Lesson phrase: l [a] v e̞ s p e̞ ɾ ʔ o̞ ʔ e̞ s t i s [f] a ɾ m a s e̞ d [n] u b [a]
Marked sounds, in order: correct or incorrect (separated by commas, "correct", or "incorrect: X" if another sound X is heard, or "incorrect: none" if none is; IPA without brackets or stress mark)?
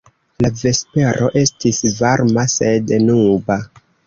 correct, incorrect: v, correct, correct